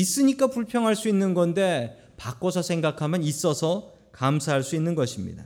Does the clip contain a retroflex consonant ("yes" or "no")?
yes